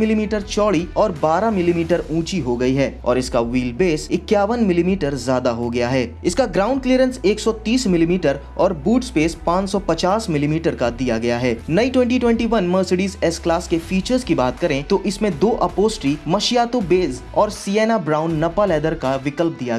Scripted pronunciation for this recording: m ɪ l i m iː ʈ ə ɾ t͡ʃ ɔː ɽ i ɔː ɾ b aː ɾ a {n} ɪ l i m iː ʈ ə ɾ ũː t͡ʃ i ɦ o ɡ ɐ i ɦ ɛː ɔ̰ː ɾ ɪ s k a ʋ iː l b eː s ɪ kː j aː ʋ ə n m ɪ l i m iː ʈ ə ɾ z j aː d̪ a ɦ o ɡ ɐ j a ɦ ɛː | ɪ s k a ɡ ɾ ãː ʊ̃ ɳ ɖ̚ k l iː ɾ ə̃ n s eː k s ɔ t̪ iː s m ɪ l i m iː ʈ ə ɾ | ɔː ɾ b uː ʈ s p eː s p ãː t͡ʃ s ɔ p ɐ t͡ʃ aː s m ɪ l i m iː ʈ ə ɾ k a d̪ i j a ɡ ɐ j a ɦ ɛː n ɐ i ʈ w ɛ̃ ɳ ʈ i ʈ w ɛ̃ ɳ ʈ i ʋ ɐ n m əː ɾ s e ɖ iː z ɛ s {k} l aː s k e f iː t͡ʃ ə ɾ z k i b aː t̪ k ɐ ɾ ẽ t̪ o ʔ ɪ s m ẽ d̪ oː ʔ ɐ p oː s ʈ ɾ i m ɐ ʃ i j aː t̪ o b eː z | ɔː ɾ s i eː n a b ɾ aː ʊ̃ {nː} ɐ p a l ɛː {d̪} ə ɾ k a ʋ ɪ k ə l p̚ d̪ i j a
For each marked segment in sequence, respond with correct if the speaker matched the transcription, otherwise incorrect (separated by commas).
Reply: incorrect, correct, correct, correct